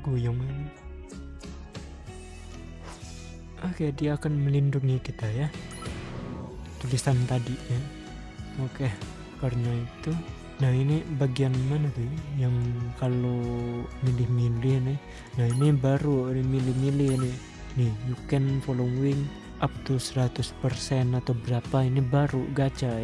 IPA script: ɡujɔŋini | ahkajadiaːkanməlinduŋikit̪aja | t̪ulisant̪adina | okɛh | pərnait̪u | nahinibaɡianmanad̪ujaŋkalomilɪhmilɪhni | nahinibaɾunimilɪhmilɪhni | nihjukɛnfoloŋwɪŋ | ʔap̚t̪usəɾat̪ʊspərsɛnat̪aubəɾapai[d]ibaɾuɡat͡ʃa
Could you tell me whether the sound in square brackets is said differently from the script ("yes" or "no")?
yes